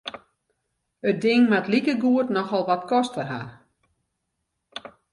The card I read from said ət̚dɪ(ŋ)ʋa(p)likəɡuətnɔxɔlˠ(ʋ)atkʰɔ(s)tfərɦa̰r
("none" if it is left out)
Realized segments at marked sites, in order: ŋ, t, ʋ, s

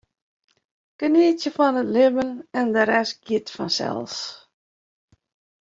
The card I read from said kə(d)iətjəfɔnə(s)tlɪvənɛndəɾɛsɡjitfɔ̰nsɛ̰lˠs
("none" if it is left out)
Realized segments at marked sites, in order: n, none

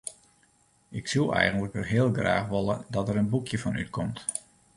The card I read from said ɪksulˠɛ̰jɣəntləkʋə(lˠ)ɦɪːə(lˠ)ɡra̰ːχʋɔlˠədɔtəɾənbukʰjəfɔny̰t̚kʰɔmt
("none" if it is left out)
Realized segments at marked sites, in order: none, lˠ

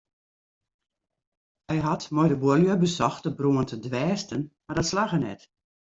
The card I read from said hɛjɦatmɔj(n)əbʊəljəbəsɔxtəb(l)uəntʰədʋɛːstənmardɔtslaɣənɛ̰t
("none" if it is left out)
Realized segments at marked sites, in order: d, r

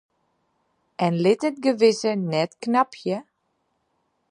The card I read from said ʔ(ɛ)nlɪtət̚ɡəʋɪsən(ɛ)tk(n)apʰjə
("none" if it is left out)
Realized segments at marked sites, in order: ɛ, ɛ, n

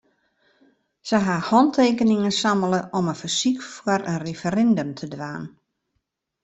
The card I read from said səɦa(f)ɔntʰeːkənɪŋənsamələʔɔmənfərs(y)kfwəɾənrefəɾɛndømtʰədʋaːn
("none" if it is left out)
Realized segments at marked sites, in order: h, i

